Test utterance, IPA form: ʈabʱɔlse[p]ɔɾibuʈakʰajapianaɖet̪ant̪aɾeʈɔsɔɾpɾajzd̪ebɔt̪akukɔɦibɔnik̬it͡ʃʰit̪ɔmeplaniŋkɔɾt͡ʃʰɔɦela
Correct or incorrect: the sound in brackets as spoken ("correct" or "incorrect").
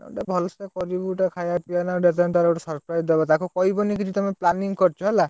incorrect